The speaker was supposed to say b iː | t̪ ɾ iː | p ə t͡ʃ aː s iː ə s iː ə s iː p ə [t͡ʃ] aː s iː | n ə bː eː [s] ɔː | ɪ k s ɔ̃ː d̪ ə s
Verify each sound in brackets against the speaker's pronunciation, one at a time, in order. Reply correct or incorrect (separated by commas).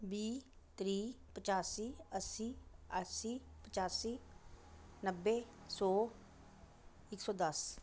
correct, correct